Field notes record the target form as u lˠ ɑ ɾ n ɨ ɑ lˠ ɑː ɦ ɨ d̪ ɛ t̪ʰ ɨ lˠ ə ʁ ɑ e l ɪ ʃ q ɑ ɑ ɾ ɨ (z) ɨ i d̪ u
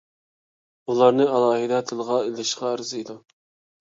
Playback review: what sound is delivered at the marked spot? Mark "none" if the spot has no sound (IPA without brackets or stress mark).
z